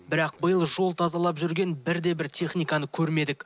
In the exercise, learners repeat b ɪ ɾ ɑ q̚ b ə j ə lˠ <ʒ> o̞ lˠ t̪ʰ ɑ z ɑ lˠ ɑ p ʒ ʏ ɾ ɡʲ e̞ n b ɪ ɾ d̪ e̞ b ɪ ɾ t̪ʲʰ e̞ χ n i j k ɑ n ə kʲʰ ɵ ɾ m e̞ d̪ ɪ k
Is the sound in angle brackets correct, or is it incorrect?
correct